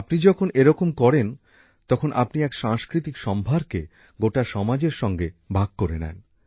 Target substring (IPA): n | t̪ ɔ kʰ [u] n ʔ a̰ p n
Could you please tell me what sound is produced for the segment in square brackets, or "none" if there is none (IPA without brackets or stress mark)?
o